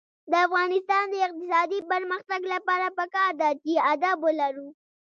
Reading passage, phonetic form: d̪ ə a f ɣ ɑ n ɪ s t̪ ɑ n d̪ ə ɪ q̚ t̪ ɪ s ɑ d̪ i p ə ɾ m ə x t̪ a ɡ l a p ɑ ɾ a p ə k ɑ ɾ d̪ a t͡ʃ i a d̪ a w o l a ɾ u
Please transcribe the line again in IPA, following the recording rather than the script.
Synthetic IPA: d̪ ə a f ɣ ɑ n ɪ s t̪ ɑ n d̪ ə ɪ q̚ t̪ ɪ s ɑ d̪ i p ə ɾ m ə x t̪ a ɡ l a p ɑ ɾ a p ə k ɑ ɾ d̪ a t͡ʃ i a d̪ a b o l a ɾ u